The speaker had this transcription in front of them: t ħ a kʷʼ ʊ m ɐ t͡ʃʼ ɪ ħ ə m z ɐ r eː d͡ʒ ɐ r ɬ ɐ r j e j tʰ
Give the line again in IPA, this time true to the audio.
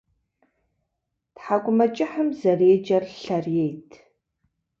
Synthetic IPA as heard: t ħ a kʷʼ ʊ m ɐ t͡ʃʼ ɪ ħ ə m z ɐ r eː d͡ʒ ɐ r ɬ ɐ r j e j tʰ